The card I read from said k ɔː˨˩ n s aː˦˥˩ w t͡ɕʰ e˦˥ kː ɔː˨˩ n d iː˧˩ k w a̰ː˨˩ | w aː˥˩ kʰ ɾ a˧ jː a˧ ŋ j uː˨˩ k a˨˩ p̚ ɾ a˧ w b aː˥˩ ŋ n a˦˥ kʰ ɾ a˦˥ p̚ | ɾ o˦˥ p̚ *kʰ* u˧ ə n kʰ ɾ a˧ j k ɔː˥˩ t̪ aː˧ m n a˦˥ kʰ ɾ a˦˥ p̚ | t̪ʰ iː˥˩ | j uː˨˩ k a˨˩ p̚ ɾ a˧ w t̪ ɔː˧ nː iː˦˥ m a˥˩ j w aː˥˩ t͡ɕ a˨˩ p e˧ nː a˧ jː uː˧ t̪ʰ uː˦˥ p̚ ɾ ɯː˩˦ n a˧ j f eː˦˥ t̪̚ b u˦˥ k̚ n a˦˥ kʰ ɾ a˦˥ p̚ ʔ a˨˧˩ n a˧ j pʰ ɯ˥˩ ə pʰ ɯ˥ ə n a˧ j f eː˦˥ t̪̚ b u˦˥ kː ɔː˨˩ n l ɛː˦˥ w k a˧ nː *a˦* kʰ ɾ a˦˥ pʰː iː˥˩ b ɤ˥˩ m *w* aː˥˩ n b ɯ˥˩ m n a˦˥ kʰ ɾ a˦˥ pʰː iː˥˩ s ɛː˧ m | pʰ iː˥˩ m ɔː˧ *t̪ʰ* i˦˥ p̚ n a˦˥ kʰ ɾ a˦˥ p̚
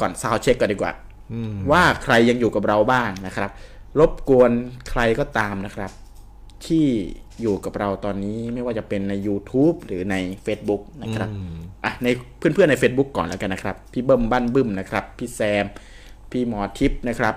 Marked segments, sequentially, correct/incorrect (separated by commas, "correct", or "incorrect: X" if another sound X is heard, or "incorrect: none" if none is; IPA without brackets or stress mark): incorrect: k, correct, incorrect: b, correct